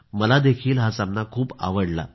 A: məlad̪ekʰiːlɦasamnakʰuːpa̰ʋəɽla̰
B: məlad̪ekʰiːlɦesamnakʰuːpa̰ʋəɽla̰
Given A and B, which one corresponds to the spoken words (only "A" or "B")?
A